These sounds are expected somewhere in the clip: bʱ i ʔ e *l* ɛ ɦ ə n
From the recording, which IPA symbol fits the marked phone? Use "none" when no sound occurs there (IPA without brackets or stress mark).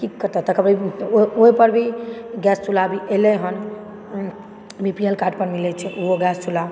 l